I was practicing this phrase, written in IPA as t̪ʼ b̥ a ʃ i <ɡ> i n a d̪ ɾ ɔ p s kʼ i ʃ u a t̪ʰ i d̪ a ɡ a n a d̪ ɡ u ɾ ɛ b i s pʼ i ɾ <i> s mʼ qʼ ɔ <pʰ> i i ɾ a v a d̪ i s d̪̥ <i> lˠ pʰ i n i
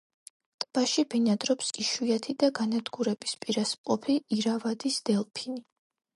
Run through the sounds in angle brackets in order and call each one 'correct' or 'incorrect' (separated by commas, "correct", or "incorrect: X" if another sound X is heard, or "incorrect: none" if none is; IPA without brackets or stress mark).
incorrect: b, incorrect: a, correct, incorrect: ɛ